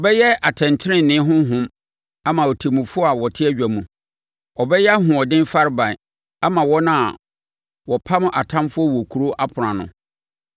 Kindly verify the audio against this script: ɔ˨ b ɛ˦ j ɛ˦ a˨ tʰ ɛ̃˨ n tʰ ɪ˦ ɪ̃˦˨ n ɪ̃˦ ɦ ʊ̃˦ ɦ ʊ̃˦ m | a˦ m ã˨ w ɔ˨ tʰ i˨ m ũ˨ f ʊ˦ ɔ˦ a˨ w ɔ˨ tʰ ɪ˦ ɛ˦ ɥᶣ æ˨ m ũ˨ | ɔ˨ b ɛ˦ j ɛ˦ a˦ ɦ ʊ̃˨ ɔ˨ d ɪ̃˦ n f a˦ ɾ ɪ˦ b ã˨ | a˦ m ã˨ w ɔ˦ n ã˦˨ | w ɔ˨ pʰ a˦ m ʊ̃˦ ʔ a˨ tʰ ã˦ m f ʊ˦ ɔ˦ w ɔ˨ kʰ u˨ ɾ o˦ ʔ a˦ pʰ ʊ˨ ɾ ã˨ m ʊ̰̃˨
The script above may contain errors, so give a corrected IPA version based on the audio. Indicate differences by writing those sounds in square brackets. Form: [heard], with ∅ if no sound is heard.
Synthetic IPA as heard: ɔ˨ b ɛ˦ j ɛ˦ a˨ tʰ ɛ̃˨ n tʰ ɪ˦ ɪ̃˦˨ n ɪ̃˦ ɦ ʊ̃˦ ɦ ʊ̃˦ m | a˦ m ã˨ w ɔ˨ tʰ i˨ m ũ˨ f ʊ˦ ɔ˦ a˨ w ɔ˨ tʰ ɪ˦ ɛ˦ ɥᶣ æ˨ m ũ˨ | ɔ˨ b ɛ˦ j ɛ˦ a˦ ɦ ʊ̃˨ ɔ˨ d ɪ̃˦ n f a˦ ɾ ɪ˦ b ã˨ | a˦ m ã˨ w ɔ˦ n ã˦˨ | w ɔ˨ pʰ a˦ m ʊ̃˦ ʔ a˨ tʰ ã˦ m f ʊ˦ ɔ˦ w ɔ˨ kʰ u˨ ɾ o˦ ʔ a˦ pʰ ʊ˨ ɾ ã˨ [n] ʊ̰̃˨